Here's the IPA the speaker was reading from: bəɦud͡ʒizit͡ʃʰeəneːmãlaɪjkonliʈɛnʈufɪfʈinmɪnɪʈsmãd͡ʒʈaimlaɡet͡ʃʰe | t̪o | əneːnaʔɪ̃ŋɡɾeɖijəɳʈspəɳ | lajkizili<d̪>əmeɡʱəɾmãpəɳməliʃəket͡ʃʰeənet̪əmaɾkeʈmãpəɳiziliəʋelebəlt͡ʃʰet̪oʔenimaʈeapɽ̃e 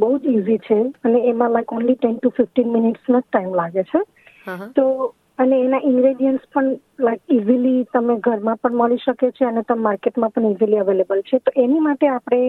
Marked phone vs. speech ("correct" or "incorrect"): incorrect